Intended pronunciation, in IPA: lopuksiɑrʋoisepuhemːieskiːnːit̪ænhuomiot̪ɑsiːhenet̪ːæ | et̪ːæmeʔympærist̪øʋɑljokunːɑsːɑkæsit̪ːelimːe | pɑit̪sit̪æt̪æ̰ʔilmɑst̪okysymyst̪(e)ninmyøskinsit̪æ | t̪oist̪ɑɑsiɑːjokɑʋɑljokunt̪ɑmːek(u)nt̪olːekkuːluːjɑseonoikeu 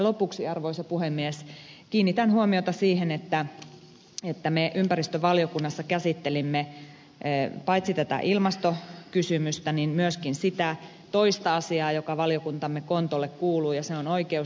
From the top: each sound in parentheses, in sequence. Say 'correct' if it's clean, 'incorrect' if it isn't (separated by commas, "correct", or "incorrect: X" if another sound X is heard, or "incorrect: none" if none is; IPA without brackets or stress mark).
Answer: incorrect: æ, incorrect: o